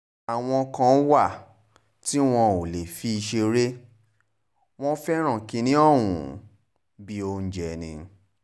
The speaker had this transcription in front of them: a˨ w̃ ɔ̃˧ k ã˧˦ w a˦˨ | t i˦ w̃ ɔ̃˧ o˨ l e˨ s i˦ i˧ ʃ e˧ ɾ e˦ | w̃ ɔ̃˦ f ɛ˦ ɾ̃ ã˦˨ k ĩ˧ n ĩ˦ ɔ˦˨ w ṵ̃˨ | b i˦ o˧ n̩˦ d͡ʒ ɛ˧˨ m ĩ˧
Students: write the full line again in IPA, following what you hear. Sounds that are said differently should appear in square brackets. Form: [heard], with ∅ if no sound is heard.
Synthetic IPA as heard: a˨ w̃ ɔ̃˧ k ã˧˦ w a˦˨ | t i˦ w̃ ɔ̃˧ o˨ l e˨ [f] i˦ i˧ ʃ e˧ ɾ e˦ | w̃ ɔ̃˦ f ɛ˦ ɾ̃ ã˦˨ k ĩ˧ n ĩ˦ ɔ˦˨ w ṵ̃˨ | b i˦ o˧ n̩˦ d͡ʒ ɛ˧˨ [n] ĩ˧